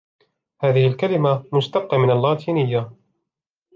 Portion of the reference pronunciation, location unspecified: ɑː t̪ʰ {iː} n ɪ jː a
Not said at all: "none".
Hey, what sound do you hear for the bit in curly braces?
iː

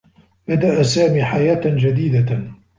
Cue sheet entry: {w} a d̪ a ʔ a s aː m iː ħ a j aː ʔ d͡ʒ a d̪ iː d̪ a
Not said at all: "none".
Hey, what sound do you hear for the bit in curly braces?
b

